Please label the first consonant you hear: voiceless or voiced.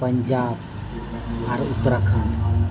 voiceless